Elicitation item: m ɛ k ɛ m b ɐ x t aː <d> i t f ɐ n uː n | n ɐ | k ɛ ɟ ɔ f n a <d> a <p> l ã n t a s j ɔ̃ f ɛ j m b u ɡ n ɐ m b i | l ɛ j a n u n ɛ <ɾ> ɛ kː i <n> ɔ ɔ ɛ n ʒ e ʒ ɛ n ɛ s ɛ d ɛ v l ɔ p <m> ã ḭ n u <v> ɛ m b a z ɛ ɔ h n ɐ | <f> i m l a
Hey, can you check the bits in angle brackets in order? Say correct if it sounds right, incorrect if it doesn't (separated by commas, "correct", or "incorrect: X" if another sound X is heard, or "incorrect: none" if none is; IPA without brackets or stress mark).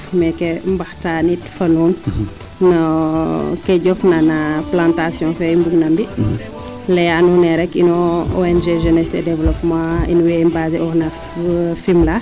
incorrect: n, incorrect: n, correct, correct, correct, correct, incorrect: w, correct